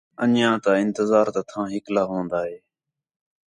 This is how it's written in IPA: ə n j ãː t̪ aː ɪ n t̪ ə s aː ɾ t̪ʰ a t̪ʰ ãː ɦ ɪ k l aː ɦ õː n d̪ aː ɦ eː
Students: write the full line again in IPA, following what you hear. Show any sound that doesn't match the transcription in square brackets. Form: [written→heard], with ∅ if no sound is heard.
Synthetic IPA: ə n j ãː t̪ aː ɪ n t̪ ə [s→z] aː ɾ [t̪ʰ→t̪] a t̪ʰ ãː ɦ ɪ k l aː ɦ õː n d̪ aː ɦ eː